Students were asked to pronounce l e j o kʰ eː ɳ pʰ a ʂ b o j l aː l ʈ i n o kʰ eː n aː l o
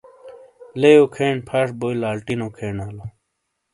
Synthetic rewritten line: l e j o kʰ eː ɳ pʰ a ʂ b o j l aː l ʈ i n o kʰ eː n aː l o